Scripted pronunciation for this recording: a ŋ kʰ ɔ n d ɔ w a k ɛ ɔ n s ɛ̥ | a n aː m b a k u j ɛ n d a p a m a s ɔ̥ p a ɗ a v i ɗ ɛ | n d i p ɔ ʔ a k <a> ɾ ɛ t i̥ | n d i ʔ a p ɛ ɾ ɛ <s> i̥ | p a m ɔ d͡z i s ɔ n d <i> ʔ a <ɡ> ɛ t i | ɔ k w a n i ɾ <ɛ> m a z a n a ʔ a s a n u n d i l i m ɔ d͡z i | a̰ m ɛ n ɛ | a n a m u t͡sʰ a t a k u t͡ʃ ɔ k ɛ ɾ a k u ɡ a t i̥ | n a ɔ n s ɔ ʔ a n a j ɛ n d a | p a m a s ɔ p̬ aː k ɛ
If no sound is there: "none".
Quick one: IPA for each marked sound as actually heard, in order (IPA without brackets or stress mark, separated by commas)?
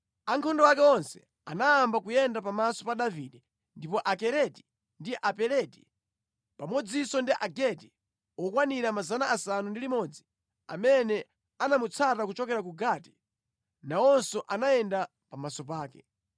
ɛ, t, i, ɡ, a